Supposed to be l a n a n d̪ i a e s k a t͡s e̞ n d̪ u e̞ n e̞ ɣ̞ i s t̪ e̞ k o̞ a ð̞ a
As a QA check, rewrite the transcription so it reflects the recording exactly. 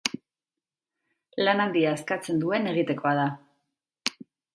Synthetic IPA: l a n a n d̪ i a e s k a t͡s e̞ n d̪ u e̞ n e̞ ɣ̞ i t̪ e̞ k o̞ a ð̞ a

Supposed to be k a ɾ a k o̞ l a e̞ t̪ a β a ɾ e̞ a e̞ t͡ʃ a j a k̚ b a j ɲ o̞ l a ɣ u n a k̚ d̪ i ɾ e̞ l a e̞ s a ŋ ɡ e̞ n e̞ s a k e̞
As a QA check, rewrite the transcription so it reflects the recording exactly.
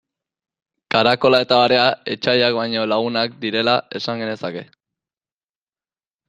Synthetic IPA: k a ɾ a k o̞ l a e̞ t̪ a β a ɾ e̞ a e̞ t͡ʃ a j a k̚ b a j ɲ o̞ l a ɣ u n a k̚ d̪ i ɾ e̞ l a e̞ s a ŋ ɡ e̞ n e̞ s a k e̞

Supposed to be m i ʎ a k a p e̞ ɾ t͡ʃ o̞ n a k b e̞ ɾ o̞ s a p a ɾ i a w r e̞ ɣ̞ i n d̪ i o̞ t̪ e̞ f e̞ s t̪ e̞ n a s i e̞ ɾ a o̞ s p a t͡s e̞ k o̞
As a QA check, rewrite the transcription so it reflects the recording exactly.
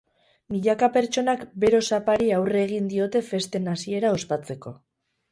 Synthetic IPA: m i ʎ a k a p e̞ ɾ t͡ʃ o̞ n a k b e̞ ɾ o̞ s a p a ɾ i a w r e̞ ɣ̞ i n d̪ i o̞ t̪ e̞ f e̞ s t̪ e̞ n a s i e̞ ɾ a o̞ s p a t͡s e̞ k o̞

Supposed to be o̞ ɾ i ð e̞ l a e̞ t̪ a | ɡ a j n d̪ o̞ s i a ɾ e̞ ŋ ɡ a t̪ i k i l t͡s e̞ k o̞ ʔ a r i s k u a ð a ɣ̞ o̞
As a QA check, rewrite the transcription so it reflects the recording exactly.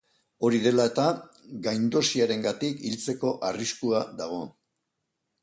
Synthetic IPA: o̞ ɾ i ð e̞ l a e̞ t̪ a | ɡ a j n d̪ o̞ s i a ɾ e̞ ŋ ɡ a t̪ i k i l t͡s e̞ k o̞ ʔ a r i s k u a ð a ɣ̞ o̞

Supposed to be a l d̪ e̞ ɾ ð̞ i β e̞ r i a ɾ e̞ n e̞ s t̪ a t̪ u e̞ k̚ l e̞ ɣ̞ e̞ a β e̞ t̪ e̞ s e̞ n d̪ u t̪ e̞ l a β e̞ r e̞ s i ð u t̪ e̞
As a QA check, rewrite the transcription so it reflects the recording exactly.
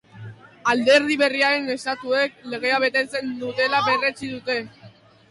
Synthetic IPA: a l d̪ e̞ ɾ ð̞ i β e̞ r i a ɾ e̞ n e̞ s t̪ a t̪ u e̞ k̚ l e̞ ɣ̞ e̞ a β e̞ t̪ e̞ t͡s e̞ n d̪ u t̪ e̞ l a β e̞ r e̞ t͡s i ð u t̪ e̞

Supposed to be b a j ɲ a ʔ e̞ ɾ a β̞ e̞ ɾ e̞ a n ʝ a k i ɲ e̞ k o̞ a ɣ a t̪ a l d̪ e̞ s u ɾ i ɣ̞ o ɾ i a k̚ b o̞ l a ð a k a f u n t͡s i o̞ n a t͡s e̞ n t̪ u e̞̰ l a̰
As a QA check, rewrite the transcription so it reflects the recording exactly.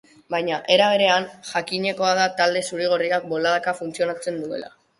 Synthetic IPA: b a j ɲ a ʔ e̞ ɾ a β̞ e̞ ɾ e̞ a n ʝ a k i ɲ e̞ k o̞ a ð a t̪ a l d̪ e̞ s u ɾ i ɣ̞ o r i a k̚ b o̞ l a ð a k a f u n t͡s i o̞ n a t͡s e̞ n d̪ u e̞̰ l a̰

